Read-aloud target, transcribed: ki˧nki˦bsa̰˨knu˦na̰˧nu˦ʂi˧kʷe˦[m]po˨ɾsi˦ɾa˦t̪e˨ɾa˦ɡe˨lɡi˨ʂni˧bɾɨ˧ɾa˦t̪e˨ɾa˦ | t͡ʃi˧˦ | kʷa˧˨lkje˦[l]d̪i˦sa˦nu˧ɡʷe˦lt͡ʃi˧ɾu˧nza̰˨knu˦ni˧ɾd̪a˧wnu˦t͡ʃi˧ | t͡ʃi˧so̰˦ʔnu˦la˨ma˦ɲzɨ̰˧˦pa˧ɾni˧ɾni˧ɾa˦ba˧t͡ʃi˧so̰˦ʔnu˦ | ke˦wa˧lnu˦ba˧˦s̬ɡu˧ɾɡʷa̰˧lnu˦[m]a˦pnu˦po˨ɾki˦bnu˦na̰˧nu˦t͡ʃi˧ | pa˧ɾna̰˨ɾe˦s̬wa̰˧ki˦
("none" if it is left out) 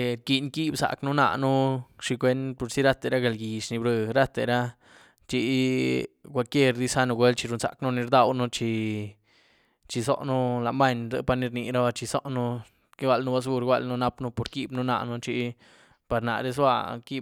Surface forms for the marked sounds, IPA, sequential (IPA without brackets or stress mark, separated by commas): n, ɾ, n